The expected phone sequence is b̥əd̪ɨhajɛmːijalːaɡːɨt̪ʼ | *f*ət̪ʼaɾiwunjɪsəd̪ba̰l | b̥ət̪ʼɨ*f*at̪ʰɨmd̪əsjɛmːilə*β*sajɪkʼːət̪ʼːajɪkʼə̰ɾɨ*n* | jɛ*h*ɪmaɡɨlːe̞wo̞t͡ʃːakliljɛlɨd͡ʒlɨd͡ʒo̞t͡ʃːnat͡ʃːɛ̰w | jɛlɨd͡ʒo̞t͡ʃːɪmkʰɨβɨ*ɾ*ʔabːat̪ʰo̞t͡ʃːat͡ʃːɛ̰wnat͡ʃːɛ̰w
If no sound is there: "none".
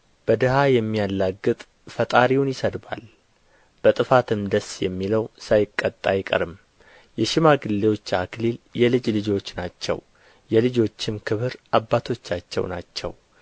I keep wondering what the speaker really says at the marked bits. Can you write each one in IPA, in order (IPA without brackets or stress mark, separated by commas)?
f, f, w, m, ʃ, ɾ